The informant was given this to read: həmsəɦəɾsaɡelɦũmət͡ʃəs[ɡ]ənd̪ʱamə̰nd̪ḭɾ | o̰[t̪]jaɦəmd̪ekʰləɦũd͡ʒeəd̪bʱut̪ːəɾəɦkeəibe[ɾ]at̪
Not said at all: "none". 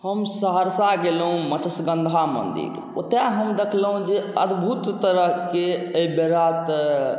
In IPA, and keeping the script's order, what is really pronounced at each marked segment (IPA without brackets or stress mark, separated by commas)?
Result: ɡ, t̪, ɾ